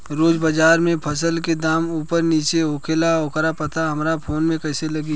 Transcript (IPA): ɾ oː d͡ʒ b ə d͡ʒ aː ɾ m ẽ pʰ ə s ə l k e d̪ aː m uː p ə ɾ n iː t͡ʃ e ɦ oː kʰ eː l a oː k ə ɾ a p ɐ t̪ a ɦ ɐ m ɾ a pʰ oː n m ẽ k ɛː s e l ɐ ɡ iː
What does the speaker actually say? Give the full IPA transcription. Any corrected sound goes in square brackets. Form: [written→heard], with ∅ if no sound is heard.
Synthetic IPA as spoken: ɾ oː d͡ʒ b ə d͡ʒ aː ɾ m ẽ pʰ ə s ə l k e d̪ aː m uː p ə ɾ n iː t͡ʃ e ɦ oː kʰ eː l a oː k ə ɾ a p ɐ t̪ a ɦ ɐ m ɾ a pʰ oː n m ẽ k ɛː s e l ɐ ɡ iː